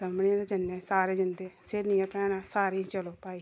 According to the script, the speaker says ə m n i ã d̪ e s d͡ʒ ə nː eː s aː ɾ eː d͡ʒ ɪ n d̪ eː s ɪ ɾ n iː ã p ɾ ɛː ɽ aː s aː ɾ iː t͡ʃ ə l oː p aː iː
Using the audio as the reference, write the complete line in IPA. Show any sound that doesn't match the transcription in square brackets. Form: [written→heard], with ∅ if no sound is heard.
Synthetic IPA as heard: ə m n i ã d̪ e [s→∅] d͡ʒ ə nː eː s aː ɾ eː d͡ʒ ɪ n d̪ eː s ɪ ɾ n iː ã p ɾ ɛː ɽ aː s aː ɾ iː t͡ʃ ə l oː p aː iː